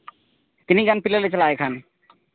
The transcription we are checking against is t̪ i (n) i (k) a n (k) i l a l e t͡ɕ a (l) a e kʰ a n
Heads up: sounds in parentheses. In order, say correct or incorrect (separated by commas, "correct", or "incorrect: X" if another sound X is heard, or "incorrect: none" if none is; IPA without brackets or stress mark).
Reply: correct, incorrect: ɡ, incorrect: p, correct